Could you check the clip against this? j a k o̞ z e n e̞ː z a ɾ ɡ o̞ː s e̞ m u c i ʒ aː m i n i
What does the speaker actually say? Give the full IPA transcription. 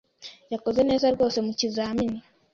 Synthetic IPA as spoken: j a k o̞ z e n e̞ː z a ɾ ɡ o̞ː s e̞ m u c i z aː m i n i